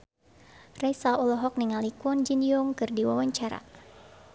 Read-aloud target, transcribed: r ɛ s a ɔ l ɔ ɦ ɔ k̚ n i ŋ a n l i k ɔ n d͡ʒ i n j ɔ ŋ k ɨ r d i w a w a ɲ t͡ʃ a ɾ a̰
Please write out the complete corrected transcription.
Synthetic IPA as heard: r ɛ s a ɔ l ɔ ɦ ɔ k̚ n i ŋ a l i k ɔ n d͡ʒ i n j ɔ ŋ k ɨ r d i w a w a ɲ t͡ʃ a ɾ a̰